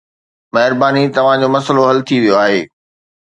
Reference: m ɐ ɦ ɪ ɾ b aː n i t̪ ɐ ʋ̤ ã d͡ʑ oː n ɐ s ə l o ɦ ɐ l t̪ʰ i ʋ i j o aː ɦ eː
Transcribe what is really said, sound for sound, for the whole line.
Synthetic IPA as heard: m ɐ ɦ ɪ ɾ b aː n i t̪ ɐ ʋ̤ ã d͡ʑ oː m ɐ s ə l o ɦ ɐ l t̪ʰ i ʋ i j o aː ɦ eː